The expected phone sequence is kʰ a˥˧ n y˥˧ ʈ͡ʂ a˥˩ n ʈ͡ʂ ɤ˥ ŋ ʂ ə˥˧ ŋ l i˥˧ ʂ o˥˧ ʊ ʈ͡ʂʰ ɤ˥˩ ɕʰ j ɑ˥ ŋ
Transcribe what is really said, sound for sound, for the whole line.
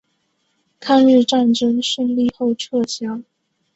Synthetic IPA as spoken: kʰ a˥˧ n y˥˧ ʈ͡ʂ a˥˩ n ʈ͡ʂ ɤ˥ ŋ ʂ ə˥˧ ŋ l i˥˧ x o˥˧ ʊ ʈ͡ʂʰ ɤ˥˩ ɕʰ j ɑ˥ ŋ